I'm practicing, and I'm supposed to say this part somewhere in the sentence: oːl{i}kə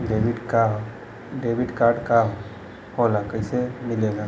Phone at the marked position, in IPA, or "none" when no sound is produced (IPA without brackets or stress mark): a